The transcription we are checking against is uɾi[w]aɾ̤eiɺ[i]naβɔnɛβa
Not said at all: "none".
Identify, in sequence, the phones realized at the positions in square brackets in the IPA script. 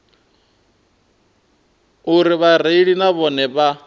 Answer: β, i

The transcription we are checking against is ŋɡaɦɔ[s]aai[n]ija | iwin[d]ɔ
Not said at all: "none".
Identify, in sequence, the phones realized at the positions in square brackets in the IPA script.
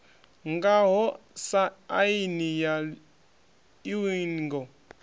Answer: s, n, ɡ

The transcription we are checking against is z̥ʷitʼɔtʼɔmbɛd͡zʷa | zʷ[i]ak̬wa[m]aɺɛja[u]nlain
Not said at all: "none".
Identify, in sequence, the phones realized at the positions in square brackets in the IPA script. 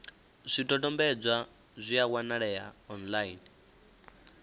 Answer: i, n, ɔ

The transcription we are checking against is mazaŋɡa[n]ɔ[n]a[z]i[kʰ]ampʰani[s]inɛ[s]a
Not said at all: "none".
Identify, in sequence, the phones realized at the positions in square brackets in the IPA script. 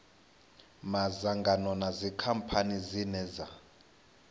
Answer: n, n, z, kʰ, z, z

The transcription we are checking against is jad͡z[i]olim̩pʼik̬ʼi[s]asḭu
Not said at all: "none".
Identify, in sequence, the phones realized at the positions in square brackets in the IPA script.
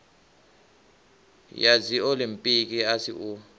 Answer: i, none

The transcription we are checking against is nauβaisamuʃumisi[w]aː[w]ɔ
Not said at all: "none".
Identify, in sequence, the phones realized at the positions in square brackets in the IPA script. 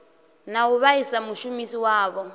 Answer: w, β

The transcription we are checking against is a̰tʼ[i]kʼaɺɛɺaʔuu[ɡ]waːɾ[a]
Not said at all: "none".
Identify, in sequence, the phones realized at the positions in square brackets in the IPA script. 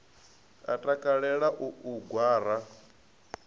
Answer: a, ɡ, a

